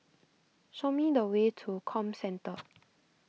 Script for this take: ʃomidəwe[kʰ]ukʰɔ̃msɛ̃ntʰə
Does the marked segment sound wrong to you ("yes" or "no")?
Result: yes